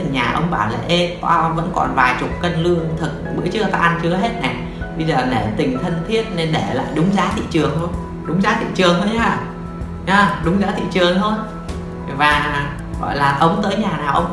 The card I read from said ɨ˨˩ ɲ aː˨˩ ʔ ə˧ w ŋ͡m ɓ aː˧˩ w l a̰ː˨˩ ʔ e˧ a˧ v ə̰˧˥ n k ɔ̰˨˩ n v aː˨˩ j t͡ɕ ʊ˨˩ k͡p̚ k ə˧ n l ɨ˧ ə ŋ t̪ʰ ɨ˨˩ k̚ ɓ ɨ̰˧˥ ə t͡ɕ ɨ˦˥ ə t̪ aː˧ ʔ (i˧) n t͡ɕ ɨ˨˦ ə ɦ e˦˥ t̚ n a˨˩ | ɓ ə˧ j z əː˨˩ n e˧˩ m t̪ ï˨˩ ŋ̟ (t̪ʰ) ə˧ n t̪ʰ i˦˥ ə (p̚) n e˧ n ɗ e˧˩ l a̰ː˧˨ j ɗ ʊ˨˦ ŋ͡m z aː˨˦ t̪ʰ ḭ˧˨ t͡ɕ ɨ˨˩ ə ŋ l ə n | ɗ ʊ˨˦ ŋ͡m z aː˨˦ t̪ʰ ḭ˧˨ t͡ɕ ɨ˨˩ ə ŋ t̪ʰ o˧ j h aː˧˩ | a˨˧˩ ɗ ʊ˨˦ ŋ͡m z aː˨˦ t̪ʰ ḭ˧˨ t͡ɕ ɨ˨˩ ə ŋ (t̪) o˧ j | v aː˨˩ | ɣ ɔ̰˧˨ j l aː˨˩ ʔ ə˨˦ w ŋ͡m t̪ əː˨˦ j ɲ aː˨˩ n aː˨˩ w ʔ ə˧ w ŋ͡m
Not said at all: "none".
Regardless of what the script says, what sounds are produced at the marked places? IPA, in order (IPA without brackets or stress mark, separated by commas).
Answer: a˧, t̪ʰ, t̚, t̪ʰ